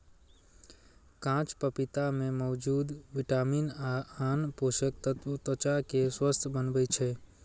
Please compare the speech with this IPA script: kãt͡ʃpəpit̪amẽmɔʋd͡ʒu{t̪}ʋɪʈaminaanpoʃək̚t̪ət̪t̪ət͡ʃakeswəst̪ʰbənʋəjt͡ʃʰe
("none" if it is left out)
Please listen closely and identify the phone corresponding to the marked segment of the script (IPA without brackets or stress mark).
d̪